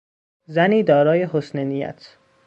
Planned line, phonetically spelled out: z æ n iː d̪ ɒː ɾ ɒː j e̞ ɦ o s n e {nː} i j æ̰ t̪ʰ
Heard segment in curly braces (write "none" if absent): n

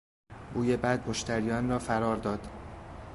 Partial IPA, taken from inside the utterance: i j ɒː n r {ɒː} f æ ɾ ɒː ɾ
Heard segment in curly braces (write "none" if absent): ɒː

